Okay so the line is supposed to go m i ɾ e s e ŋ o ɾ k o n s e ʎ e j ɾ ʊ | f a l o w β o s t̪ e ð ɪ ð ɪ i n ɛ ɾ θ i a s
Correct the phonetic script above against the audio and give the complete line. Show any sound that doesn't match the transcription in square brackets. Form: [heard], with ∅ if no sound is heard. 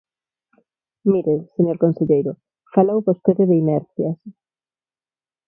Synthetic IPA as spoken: m i ɾ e s e [ɲ] o ɾ k o n s e ʎ e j ɾ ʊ | f a l o w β o s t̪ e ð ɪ ð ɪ i n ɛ ɾ θ [j] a s

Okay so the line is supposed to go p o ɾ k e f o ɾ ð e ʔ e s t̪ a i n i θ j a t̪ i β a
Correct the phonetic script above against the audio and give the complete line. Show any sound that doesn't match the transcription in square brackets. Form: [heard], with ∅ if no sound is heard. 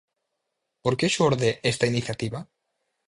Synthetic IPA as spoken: p o ɾ k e [ʃ] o ɾ ð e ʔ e s t̪ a i n i θ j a t̪ i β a

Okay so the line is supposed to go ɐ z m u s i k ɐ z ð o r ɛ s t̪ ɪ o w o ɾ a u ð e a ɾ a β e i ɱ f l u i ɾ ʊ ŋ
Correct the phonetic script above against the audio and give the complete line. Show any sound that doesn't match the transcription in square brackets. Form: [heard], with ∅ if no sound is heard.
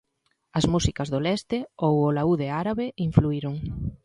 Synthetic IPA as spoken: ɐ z m u s i k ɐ z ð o [l] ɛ s t̪ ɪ o w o [l] a u ð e a ɾ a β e i ɱ f l u i ɾ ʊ ŋ

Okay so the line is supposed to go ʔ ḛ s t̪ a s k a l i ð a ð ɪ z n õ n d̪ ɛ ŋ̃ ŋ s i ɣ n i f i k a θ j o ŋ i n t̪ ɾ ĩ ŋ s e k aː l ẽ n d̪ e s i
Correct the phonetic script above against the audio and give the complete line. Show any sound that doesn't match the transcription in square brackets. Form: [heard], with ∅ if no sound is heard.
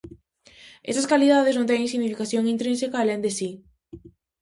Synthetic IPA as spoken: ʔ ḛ s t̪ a s k a l i ð a ð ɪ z n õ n [t̪] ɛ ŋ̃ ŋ s i ɣ n i f i k a θ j o ŋ i n t̪ ɾ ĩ [n] s e k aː l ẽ n d̪ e s i

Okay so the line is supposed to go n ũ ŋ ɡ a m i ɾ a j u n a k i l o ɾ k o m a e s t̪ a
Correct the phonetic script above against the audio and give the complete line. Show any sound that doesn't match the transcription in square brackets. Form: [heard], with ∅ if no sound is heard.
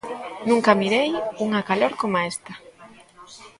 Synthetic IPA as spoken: n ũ ŋ [k] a m i ɾ [e] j u [ŋ] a k [a] l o ɾ k o m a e s t̪ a

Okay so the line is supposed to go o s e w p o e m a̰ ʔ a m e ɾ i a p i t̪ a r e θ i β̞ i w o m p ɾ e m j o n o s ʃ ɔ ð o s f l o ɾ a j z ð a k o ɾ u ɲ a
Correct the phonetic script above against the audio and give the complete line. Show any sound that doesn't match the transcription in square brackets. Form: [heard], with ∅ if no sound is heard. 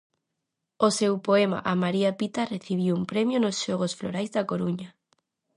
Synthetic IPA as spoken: o s e w p o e m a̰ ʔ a m [a] ɾ i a p i t̪ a r e θ i β̞ i w [u] m p ɾ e m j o n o s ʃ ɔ [ɣ] o s f l o ɾ a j z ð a k o ɾ u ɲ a

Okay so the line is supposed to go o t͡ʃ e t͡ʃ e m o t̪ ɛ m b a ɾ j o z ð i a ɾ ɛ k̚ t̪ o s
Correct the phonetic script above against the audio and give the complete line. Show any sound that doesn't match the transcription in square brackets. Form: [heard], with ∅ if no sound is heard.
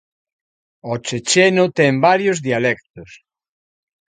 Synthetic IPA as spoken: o t͡ʃ e t͡ʃ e [n] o t̪ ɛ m b a ɾ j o z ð i a [l] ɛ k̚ t̪ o s

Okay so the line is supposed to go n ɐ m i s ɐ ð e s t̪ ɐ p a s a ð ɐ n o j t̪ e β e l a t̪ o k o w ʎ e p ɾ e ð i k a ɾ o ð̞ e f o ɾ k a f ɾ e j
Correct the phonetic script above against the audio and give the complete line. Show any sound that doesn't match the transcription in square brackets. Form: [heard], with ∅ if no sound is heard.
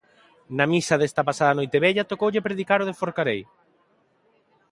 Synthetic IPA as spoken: n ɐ m i s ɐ ð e s t̪ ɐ p a s a ð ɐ n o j t̪ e β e [ʎ] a t̪ o k o w ʎ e p ɾ e ð i k a ɾ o ð̞ e f o ɾ k a [∅] ɾ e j

